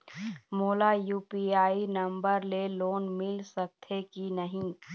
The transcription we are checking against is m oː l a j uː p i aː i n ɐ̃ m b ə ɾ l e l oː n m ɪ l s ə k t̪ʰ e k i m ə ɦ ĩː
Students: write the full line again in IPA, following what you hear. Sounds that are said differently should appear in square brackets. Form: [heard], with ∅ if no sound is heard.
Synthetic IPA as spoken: m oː l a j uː p i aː i n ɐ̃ m b ə ɾ l e l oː n m ɪ l s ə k t̪ʰ e k i [n] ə ɦ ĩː